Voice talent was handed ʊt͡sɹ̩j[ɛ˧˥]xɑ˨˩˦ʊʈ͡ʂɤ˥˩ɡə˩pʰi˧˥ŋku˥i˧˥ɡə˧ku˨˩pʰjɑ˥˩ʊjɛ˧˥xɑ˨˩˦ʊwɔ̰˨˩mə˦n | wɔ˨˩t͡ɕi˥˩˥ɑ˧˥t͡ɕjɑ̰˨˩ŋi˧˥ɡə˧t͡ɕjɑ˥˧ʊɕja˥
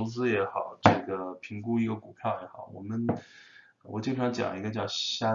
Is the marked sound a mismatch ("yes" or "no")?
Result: no